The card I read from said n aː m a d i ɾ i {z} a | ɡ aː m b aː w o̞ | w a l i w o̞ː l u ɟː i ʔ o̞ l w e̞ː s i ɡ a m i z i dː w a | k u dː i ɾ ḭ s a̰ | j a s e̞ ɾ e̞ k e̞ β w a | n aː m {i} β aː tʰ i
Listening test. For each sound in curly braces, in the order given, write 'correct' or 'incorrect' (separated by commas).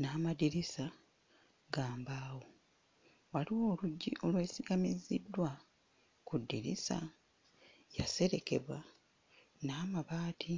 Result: incorrect, incorrect